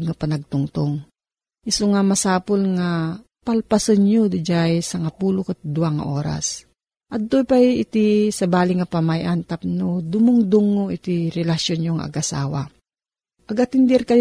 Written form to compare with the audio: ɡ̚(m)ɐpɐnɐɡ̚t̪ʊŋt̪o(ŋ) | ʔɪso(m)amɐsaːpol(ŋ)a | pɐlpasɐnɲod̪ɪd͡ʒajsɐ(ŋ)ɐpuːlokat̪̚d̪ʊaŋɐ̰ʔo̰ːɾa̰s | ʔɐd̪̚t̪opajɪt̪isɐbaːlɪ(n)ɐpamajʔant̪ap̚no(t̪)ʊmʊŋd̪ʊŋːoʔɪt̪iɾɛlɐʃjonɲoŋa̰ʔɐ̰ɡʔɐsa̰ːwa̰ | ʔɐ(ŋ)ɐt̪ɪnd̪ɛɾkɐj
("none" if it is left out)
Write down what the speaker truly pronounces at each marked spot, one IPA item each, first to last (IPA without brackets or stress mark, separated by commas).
ŋ, ŋ, ŋ, ŋ, ŋ, ŋ, d̪, ɡ